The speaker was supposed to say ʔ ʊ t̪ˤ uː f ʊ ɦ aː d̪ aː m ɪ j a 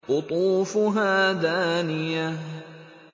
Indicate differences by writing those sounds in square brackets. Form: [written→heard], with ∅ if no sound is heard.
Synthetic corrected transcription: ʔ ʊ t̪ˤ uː f ʊ ɦ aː d̪ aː [m→n] ɪ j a

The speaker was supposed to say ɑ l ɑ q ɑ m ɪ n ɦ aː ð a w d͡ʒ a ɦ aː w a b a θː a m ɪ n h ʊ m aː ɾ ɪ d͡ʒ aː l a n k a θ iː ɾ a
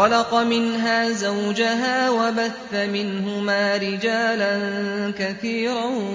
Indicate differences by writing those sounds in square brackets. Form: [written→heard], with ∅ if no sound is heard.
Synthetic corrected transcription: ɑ l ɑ q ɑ m ɪ n ɦ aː [ð→z] a w d͡ʒ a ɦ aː w a b a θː a m ɪ n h ʊ m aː ɾ ɪ d͡ʒ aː l a n k a θ iː ɾ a

